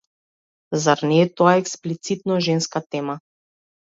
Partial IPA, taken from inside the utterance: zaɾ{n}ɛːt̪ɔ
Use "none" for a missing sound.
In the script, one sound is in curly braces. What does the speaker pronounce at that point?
n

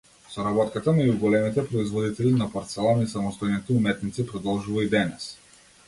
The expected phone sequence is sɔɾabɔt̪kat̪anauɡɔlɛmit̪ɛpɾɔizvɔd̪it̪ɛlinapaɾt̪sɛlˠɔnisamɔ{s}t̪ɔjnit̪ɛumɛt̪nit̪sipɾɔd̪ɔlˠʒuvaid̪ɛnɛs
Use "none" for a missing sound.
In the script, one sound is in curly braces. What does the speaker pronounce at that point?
s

